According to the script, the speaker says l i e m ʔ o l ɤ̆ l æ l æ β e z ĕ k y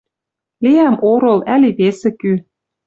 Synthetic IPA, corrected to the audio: l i æ m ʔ o ɾ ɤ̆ l æ l i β e s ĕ k y